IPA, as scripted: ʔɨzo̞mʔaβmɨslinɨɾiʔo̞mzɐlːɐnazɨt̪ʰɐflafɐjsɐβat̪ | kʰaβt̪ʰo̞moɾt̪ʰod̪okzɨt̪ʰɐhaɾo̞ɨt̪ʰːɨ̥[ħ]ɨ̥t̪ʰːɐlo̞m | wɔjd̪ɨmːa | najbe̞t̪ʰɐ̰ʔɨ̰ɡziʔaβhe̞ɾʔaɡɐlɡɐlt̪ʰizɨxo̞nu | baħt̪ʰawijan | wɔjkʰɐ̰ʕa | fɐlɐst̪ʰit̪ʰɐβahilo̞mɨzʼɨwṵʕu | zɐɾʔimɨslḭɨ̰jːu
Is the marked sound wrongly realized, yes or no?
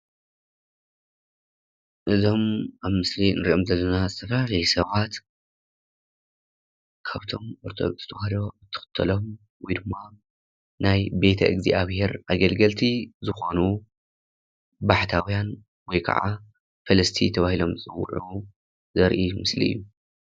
yes